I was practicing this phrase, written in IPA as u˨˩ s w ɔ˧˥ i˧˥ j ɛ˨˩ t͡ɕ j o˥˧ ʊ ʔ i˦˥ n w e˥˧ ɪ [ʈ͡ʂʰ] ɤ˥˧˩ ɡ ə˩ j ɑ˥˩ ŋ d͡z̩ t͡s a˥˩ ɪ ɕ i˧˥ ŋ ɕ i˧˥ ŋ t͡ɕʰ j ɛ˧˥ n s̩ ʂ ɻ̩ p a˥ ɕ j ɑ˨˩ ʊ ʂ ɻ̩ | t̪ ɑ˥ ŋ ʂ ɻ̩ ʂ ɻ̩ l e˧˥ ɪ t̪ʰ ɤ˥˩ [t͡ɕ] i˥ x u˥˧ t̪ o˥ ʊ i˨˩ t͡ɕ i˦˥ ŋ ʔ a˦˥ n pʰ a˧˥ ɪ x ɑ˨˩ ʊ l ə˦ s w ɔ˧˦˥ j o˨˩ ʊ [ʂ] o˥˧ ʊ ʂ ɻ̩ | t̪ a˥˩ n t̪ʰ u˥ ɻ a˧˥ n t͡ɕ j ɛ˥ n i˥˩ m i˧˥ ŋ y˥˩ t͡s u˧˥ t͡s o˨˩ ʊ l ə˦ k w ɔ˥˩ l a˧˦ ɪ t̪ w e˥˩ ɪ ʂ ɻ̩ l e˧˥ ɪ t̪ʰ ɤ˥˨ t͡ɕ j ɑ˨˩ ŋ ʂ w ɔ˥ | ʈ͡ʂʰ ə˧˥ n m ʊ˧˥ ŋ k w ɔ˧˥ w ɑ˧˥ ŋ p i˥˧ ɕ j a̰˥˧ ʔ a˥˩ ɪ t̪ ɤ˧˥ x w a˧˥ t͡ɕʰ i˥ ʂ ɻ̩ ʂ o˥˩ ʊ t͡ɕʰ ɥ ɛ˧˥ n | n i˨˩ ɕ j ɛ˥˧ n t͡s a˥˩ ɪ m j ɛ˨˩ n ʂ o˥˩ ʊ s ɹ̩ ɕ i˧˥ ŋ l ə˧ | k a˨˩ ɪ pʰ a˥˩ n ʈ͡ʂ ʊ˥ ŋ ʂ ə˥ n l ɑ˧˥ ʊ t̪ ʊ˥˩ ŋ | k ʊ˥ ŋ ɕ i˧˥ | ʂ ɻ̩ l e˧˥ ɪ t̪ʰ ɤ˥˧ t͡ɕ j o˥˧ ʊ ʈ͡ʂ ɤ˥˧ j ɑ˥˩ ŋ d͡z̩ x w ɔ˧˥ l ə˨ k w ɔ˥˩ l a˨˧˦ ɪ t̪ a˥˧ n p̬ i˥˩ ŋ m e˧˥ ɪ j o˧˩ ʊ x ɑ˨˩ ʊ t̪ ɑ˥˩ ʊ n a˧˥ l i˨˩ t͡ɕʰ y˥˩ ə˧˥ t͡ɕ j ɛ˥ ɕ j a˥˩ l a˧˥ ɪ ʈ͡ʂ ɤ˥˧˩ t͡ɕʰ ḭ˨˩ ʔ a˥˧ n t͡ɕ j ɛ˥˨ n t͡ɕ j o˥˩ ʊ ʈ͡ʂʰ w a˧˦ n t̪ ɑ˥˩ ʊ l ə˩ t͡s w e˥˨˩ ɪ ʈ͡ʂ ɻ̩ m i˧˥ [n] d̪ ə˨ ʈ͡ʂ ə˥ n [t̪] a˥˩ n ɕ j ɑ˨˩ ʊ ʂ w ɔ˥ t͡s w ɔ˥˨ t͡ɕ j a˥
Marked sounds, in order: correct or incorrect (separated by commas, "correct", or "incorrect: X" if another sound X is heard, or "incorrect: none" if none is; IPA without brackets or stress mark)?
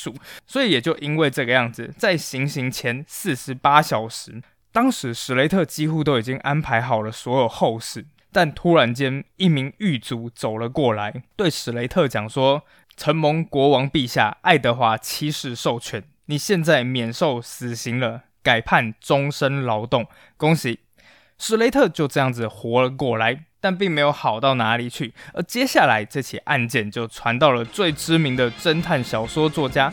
incorrect: ʈ͡ʂ, correct, incorrect: x, incorrect: ŋ, incorrect: t̪ʰ